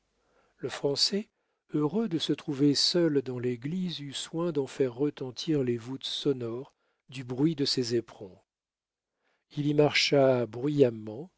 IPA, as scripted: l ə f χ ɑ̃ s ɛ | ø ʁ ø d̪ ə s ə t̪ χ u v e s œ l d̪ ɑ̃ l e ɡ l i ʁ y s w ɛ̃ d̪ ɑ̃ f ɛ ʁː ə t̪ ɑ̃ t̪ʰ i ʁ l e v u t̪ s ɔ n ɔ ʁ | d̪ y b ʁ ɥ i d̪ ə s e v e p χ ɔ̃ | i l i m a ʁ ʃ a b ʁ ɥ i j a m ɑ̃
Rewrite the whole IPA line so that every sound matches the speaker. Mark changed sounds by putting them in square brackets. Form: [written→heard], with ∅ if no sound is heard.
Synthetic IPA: l ə f χ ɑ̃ s ɛ | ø ʁ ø d̪ ə s ə t̪ χ u v e s œ l d̪ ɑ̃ l e ɡ l i [ʁ→z] y s w ɛ̃ d̪ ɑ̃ f ɛ ʁː ə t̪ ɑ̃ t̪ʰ i ʁ l e v u t̪ s ɔ n ɔ ʁ | d̪ y b ʁ ɥ i d̪ ə s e [v→z] e p χ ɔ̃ | i l i m a ʁ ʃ a b ʁ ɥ i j a m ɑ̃